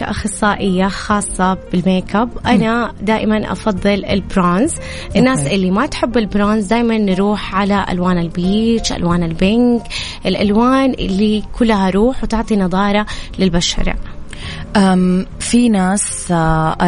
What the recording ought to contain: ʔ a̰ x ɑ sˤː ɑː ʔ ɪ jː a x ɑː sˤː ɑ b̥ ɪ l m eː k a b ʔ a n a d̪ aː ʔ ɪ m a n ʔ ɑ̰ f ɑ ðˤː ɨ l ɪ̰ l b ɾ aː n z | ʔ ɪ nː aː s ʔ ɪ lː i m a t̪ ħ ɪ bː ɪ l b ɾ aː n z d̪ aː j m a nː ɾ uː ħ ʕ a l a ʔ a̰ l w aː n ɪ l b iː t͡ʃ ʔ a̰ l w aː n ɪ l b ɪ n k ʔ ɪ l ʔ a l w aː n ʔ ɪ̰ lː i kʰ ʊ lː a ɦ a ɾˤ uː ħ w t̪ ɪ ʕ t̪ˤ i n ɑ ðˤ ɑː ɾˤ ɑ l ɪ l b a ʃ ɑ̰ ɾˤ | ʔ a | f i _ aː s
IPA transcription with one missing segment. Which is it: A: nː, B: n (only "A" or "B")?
B